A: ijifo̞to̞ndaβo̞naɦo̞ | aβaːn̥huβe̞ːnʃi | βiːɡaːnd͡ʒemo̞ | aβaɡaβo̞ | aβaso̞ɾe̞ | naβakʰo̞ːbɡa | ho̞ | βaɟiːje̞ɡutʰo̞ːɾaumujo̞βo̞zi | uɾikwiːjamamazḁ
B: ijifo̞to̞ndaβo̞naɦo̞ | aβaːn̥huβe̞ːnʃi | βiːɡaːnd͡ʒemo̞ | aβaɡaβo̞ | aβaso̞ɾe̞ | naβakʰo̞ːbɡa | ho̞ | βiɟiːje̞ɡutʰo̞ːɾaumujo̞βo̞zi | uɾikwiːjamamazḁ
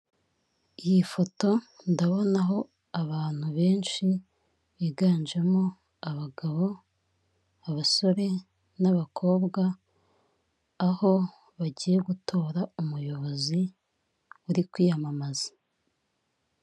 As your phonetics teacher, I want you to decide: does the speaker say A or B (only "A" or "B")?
A